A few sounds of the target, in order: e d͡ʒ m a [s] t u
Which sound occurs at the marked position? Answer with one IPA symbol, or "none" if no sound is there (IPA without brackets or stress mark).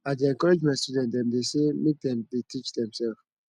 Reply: s